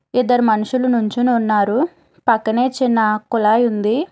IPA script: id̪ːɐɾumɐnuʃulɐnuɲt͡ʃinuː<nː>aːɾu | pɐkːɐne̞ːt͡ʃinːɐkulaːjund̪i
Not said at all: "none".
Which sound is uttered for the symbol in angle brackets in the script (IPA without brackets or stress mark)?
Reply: nː